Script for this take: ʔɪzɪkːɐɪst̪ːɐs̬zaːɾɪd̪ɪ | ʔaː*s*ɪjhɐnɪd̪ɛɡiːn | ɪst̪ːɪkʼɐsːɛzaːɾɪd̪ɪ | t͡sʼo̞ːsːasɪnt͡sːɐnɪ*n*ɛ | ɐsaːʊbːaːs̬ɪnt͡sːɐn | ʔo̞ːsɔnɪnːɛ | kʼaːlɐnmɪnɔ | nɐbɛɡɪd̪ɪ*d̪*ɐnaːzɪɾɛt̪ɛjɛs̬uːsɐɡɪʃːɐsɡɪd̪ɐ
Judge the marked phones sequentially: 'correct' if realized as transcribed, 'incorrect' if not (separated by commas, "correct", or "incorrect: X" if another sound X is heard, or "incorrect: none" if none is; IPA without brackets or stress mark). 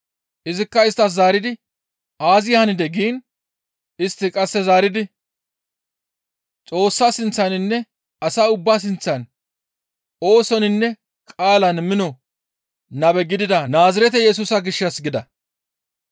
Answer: incorrect: z, incorrect: nː, correct